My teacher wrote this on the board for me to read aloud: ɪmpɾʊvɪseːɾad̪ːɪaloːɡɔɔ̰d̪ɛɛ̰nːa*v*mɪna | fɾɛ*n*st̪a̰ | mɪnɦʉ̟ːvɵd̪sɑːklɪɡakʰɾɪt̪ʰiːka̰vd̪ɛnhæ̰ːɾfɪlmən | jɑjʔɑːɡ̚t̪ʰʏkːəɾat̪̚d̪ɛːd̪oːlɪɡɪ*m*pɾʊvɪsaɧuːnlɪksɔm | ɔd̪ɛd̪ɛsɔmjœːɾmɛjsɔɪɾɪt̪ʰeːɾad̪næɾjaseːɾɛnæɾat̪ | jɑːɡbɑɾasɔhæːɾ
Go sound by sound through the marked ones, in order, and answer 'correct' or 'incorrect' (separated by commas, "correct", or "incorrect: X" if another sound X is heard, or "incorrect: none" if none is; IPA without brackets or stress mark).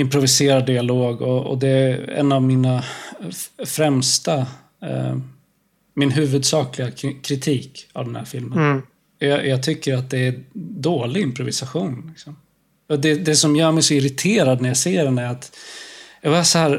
correct, incorrect: m, correct